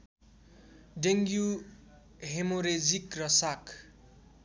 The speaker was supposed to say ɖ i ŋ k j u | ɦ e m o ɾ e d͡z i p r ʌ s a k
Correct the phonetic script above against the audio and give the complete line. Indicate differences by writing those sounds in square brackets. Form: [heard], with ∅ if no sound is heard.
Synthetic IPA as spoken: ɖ [e] ŋ [ɡ] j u | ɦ e m o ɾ e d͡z i [k] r ʌ s a k